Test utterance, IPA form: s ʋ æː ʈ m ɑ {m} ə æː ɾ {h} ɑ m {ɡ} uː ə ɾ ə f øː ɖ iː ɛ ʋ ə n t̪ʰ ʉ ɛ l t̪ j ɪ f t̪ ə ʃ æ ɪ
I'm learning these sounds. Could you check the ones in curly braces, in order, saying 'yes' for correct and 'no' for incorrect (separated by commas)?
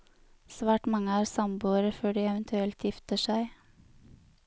no, no, no